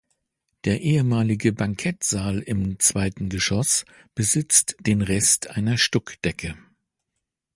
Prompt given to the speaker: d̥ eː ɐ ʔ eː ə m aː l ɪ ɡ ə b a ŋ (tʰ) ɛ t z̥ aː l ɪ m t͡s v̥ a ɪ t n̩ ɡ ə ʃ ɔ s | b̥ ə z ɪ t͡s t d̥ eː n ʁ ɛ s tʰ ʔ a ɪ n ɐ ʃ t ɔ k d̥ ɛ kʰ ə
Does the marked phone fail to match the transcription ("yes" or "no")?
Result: yes